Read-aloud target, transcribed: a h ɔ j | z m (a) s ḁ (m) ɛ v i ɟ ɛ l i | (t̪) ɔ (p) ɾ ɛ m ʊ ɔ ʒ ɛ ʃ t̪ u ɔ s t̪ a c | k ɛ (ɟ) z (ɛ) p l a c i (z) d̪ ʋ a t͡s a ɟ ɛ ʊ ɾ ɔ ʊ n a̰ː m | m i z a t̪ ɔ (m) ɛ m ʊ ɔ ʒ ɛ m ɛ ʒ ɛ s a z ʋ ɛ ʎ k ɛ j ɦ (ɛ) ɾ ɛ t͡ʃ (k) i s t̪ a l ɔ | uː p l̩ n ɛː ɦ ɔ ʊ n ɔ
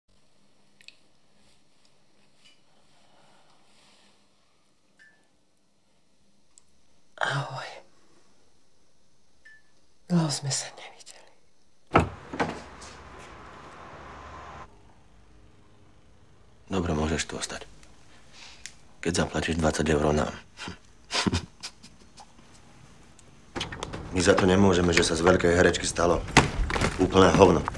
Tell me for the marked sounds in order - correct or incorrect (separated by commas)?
incorrect, incorrect, incorrect, incorrect, correct, incorrect, incorrect, incorrect, correct, correct